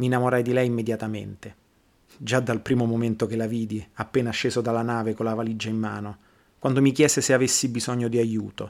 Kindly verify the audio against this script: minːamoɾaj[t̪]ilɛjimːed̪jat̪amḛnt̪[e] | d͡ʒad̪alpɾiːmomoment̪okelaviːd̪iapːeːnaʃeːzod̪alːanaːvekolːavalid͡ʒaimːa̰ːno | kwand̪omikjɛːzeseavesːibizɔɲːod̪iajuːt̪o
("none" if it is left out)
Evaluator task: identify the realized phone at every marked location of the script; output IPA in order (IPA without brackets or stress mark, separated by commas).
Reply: d̪, e